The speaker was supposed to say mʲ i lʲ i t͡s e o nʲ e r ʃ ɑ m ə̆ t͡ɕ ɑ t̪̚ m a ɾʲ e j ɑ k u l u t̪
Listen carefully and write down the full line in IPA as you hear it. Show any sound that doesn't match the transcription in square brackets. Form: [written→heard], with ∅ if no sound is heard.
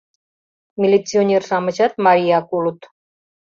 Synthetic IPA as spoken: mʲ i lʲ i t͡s [e→i] o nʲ e r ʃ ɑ m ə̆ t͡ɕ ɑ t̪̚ m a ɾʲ [e→i] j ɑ k u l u t̪